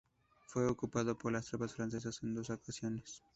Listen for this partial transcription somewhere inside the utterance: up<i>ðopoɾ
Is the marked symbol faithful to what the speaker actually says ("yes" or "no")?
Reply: no